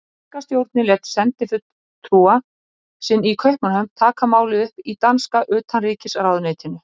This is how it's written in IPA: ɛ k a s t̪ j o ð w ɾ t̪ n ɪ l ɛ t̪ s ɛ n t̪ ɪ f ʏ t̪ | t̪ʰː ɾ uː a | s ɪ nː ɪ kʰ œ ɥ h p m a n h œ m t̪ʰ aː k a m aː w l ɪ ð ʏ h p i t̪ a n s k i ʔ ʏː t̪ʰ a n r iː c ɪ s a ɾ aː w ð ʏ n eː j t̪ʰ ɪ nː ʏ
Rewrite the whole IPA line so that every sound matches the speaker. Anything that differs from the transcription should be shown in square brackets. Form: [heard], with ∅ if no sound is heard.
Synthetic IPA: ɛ k a s t̪ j o [∅] w ɾ t̪ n ɪ l ɛ t̪ s ɛ n t̪ ɪ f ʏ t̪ | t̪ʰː ɾ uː a | s ɪ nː [i] kʰ œ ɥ h p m a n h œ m t̪ʰ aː k a m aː w l ɪ ð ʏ h p i t̪ a n s k [a] ʔ ʏː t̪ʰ a n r iː c ɪ s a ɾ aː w ð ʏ n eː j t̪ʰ ɪ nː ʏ